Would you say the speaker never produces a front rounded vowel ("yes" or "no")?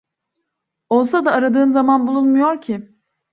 yes